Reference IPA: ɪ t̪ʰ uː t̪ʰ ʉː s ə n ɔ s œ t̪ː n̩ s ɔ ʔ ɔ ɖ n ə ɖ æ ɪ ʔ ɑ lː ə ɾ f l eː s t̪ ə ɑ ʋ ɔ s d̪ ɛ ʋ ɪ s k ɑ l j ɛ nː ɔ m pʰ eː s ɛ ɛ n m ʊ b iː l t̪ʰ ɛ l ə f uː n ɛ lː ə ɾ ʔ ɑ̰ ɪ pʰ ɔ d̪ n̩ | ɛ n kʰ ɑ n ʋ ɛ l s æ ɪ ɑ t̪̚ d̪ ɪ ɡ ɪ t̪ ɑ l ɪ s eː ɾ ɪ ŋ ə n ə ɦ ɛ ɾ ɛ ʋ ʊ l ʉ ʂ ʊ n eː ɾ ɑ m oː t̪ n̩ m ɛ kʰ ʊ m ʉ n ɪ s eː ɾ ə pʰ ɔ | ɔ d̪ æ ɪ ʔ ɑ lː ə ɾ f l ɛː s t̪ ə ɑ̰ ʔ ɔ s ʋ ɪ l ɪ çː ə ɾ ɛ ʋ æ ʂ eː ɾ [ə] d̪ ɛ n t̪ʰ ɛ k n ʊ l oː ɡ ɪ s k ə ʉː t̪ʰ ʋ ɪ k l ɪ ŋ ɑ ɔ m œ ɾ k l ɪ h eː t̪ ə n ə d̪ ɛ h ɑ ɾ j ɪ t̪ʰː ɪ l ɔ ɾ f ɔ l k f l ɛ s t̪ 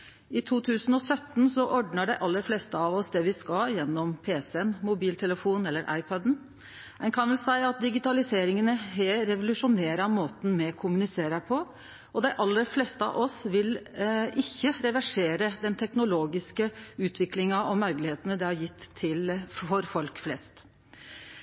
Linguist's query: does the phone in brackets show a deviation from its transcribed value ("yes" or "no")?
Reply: no